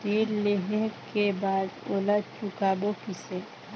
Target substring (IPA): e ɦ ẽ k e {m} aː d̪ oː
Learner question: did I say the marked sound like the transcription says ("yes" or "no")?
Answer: no